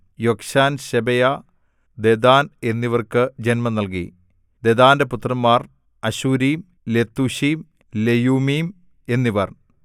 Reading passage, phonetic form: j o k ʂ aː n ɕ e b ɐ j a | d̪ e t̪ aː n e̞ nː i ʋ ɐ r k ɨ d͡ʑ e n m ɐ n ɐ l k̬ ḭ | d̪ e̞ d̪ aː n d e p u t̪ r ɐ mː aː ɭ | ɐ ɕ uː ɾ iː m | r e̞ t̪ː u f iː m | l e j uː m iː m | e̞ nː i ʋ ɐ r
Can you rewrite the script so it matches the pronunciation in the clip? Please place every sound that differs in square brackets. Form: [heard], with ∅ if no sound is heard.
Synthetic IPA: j o k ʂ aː n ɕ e b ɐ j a | d̪ e [d̪] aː n e̞ nː i ʋ ɐ r k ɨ d͡ʑ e n m ɐ n ɐ l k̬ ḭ | d̪ e̞ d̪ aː n d e p u t̪ r ɐ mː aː [r] | ɐ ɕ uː ɾ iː m | [l] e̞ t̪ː u [ɕ] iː m | l e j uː m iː m | e̞ nː i ʋ ɐ r